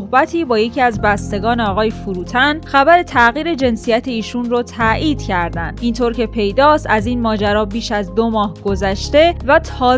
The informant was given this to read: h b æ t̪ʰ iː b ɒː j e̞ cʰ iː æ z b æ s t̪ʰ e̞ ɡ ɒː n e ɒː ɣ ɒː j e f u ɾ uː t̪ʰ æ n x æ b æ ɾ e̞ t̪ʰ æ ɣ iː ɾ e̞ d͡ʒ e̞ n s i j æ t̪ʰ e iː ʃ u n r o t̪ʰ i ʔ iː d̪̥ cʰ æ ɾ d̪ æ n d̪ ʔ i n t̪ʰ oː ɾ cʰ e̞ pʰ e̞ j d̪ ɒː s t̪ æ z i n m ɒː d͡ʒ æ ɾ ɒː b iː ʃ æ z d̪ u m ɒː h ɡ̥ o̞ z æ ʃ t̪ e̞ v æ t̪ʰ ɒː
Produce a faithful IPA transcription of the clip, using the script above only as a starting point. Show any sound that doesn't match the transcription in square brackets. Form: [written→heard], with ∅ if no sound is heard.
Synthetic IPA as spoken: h b æ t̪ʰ iː b ɒː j e̞ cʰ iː æ z b æ s [t̪ʰ→t̪] e̞ ɡ ɒː n e ɒː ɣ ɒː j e f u ɾ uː t̪ʰ æ n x æ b æ ɾ e̞ t̪ʰ æ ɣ iː ɾ e̞ d͡ʒ e̞ n s i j æ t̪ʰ e iː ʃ u n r o t̪ʰ [i→æ] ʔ iː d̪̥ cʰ æ ɾ d̪ æ n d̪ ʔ i n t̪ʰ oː ɾ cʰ e̞ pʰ e̞ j d̪ ɒː s t̪ æ z i n m ɒː d͡ʒ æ ɾ ɒː b iː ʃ æ z d̪ [u→o] m ɒː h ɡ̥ o̞ z æ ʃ t̪ e̞ v æ t̪ʰ ɒː